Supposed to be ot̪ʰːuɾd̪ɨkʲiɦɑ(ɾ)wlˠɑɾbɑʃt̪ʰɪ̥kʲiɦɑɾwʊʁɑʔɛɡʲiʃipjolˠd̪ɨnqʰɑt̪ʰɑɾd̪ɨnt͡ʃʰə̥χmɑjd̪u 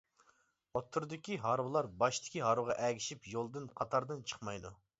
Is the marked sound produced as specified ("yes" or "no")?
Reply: yes